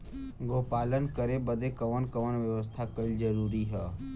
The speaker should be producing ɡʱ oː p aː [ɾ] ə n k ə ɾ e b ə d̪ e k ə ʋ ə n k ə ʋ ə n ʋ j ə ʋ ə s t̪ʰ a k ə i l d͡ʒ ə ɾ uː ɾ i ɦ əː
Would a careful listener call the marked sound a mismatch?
yes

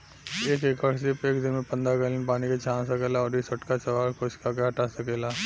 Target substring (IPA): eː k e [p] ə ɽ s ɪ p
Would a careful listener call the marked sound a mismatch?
yes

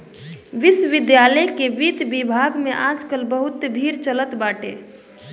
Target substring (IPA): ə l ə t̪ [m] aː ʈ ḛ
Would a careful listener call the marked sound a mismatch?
yes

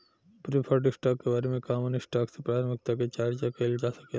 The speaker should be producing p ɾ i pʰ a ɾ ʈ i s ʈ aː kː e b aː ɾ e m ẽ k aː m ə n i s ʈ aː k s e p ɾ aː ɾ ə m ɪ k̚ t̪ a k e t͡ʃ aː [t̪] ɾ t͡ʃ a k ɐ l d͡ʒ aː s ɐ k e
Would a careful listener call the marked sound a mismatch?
yes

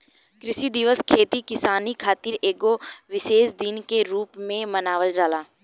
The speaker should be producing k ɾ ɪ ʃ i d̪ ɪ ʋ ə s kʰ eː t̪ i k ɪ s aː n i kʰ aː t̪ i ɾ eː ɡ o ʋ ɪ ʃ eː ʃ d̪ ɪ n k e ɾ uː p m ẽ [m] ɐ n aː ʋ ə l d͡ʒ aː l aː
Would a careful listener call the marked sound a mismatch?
no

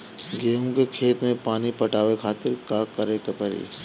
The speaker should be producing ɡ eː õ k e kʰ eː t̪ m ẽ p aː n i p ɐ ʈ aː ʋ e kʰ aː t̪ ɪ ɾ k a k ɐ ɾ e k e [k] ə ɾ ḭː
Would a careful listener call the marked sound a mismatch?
yes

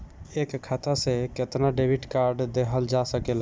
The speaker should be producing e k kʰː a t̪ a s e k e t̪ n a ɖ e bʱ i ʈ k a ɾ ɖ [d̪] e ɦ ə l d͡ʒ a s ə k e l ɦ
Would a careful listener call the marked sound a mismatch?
no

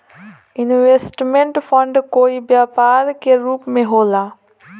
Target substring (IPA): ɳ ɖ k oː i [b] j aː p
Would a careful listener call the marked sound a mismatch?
no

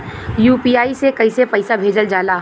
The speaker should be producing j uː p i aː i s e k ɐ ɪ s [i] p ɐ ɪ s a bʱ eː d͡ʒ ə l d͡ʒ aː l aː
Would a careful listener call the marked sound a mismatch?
yes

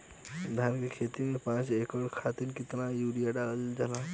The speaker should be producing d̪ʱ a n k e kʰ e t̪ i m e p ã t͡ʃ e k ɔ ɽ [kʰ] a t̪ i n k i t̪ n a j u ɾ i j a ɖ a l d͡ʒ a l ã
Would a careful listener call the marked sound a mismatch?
no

